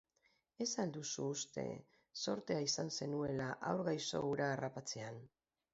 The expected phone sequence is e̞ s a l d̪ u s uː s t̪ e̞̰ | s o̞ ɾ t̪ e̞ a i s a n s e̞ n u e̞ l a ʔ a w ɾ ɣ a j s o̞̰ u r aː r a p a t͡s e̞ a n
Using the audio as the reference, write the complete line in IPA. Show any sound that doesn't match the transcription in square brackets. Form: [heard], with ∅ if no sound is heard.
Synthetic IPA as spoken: e̞ s a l d̪ u s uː s t̪ e̞̰ | s o̞ ɾ t̪ e̞ a i s a n s e̞ n u e̞ l a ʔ a w ɾ ɣ a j s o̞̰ u [ɾ] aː r a p a t͡s e̞ a n